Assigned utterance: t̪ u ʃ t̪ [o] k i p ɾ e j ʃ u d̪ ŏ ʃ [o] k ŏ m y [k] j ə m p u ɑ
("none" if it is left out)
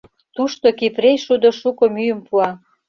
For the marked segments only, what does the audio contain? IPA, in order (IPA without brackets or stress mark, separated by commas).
o, u, none